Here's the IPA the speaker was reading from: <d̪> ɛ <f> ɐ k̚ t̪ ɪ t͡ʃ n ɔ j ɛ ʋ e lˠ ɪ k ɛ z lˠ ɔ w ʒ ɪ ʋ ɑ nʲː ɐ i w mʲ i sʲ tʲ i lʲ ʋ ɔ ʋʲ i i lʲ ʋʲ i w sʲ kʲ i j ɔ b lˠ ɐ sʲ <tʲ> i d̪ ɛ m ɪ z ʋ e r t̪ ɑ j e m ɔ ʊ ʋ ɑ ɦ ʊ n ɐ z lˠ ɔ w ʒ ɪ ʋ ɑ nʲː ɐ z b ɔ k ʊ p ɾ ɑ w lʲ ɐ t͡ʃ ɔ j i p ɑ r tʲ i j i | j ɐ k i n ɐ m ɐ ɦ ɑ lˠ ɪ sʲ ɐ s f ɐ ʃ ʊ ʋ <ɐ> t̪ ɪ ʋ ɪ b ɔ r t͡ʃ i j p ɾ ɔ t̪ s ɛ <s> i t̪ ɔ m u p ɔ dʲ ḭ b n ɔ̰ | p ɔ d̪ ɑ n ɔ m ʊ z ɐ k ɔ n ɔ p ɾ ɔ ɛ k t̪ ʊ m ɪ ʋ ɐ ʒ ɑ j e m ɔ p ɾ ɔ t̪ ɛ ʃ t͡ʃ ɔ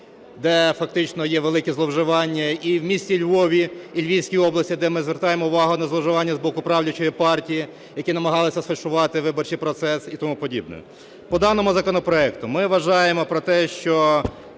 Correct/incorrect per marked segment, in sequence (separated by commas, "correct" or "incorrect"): correct, correct, correct, incorrect, correct